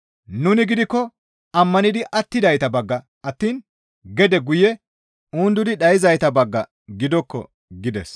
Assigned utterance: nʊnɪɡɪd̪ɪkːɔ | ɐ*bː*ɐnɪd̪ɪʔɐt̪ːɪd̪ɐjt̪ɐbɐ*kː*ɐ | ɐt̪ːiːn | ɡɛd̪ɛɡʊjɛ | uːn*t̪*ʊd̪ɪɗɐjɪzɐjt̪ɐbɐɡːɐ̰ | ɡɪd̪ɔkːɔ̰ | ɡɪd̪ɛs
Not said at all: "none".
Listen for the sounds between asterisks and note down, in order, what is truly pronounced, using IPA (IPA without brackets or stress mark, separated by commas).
mː, ɡː, d̪